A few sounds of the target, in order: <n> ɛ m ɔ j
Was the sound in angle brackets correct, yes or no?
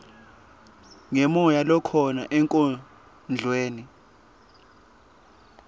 no